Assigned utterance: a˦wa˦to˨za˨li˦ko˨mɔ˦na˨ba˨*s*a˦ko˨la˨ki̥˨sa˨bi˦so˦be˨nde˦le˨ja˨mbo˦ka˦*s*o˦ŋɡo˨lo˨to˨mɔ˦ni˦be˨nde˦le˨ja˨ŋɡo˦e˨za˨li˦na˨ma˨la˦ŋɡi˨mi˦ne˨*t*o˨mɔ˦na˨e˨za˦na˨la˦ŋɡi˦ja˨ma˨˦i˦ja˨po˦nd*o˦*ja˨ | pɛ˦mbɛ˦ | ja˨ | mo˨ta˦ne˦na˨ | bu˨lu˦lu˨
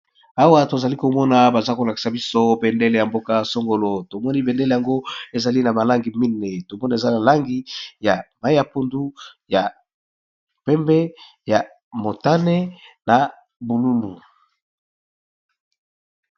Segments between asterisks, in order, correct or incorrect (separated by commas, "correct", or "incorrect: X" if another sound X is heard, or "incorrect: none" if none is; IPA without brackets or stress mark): incorrect: z, correct, correct, incorrect: u˦